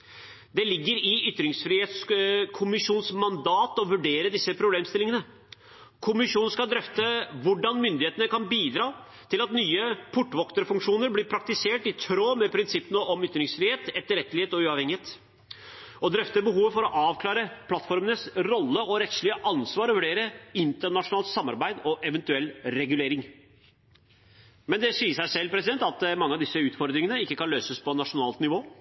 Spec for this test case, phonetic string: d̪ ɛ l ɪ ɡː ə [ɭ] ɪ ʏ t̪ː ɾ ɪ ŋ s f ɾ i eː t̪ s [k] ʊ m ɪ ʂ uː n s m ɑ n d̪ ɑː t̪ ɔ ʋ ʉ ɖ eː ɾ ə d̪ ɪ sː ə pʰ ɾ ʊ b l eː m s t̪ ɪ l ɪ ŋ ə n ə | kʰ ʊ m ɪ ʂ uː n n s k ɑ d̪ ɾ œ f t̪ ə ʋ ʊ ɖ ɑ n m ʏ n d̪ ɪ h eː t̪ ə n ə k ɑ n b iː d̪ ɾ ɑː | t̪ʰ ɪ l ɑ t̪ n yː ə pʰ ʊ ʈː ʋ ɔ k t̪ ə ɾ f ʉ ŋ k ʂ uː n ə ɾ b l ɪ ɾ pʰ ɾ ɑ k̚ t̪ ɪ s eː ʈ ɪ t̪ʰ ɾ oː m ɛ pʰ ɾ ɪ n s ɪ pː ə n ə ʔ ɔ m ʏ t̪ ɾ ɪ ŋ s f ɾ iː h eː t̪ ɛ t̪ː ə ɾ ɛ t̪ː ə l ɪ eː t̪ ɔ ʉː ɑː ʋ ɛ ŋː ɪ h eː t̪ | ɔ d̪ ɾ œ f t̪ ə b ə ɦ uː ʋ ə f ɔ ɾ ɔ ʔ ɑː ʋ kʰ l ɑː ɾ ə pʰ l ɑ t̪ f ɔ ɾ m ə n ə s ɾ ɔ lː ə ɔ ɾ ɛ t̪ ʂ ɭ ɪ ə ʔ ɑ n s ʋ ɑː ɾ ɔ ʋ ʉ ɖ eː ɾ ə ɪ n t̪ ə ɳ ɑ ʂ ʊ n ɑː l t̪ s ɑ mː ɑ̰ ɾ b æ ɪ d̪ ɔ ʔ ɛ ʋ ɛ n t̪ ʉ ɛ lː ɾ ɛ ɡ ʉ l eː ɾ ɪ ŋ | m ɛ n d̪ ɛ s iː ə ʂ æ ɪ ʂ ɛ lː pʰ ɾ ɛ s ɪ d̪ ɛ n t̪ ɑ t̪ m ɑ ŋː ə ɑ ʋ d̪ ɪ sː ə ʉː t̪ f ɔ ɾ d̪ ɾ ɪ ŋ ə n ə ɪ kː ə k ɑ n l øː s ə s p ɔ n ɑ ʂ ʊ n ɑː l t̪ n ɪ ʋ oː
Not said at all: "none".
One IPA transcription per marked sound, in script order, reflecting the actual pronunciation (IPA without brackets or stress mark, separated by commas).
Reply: ɾ, kʰ